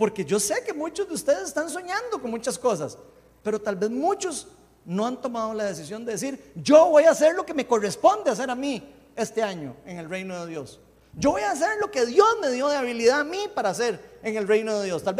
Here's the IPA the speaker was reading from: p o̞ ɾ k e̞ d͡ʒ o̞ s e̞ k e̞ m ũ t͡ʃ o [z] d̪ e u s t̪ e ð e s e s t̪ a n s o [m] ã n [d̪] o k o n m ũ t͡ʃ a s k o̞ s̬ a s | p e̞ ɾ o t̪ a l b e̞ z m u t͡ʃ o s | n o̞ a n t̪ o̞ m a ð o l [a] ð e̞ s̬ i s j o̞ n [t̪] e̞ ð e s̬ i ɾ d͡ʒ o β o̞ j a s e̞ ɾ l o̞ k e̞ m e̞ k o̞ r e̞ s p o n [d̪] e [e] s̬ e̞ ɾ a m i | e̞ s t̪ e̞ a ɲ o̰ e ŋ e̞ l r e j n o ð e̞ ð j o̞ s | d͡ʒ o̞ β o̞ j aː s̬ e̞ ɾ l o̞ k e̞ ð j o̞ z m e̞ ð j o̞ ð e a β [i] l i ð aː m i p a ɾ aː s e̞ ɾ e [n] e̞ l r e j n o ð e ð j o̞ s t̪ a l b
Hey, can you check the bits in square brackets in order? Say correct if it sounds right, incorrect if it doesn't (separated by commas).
correct, incorrect, correct, correct, incorrect, correct, incorrect, correct, incorrect